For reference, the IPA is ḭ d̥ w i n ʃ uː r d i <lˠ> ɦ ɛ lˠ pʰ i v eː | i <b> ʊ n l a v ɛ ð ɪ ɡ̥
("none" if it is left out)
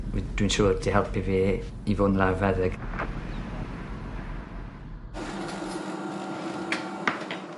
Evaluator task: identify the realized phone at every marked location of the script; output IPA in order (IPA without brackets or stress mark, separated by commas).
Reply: none, v